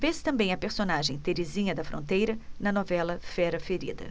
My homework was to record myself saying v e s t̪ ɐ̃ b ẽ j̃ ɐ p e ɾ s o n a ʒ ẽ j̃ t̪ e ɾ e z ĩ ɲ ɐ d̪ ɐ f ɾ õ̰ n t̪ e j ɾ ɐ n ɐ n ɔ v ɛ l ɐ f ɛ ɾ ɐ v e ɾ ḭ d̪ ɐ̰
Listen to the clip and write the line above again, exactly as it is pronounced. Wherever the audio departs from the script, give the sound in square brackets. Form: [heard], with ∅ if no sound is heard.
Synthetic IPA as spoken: v e s t̪ ɐ̃ b ẽ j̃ ɐ p e ɾ s o n a ʒ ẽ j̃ t̪ e ɾ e z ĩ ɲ ɐ d̪ ɐ f ɾ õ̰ n t̪ e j ɾ ɐ n ɐ n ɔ v ɛ l ɐ f ɛ ɾ ɐ [f] e ɾ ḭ d̪ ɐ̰